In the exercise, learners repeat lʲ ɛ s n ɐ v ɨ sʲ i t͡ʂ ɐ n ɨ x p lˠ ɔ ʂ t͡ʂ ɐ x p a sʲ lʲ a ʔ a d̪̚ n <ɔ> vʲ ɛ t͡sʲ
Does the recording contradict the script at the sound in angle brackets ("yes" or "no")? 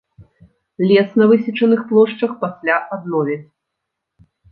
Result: no